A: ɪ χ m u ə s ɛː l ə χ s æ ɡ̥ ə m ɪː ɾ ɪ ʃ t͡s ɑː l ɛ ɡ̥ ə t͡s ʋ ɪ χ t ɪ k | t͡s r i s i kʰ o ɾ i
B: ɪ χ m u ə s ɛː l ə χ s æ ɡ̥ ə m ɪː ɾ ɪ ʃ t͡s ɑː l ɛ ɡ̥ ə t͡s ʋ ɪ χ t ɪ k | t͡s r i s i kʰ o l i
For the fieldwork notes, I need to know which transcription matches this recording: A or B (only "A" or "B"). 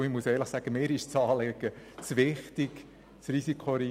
A